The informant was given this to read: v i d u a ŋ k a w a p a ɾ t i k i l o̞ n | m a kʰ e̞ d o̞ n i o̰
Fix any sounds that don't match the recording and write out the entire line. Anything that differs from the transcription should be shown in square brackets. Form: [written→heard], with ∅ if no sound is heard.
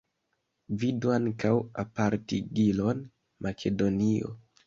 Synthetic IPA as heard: v i d u a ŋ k a w a p a ɾ t i [k→ɡ] i l o̞ n | m a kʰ e̞ d o̞ n i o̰